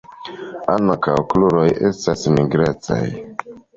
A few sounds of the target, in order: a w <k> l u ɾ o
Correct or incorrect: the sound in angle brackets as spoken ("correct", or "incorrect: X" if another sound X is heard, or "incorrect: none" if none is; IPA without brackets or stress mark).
correct